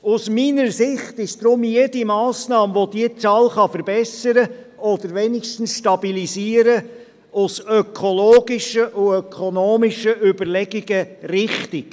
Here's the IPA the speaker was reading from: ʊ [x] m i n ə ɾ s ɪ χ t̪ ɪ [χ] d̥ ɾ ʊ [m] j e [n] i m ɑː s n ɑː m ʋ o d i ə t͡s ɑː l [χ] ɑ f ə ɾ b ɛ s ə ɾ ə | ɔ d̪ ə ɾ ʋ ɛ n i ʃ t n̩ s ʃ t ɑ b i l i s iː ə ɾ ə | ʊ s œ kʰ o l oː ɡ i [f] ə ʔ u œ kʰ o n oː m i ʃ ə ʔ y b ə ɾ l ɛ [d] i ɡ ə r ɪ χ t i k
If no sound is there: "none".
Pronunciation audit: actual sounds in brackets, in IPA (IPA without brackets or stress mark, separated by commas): s, ʃ, m, d, χ, ʃ, ɡ